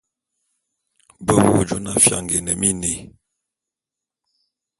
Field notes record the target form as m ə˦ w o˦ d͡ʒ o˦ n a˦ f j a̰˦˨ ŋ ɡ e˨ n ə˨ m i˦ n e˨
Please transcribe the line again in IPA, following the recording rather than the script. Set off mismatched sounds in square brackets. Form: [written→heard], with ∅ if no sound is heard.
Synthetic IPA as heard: [m→b] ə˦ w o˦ d͡ʒ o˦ n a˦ f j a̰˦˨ ŋ ɡ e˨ n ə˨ m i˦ n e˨